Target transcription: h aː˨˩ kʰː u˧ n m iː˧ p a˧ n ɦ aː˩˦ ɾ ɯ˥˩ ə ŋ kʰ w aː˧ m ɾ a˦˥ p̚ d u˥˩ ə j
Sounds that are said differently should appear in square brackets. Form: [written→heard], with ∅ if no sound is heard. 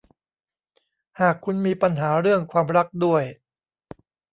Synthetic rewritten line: h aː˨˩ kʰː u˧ n m iː˧ p a˧ n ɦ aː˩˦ ɾ ɯ˥˩ ə ŋ kʰ w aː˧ m ɾ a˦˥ [p̚→k̚] d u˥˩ ə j